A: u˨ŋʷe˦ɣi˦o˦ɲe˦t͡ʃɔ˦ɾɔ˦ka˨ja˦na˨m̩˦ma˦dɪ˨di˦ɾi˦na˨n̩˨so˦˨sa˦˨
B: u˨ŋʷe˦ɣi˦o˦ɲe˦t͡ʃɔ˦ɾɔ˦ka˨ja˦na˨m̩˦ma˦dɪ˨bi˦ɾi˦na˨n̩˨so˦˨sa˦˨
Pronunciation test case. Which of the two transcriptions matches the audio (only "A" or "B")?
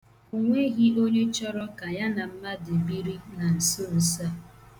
B